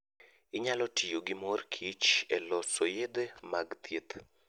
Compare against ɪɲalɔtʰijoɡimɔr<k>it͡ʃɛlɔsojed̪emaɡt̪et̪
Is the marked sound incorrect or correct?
incorrect: kʰ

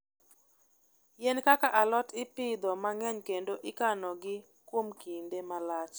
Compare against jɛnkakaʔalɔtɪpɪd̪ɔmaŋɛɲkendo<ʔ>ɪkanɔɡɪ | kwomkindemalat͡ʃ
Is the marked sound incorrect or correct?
correct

